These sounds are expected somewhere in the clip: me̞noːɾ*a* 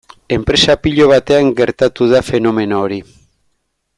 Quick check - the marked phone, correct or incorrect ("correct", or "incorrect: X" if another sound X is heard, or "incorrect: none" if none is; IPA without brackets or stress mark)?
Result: incorrect: i